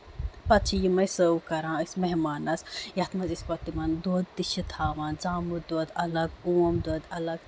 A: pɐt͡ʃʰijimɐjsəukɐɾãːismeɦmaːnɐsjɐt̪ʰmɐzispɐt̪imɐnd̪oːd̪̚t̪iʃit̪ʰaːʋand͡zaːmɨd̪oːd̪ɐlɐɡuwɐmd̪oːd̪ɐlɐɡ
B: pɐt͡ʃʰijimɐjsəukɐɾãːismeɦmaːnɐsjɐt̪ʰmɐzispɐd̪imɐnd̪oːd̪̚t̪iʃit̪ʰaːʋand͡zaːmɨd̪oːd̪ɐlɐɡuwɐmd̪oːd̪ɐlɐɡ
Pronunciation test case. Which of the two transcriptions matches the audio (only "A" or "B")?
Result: A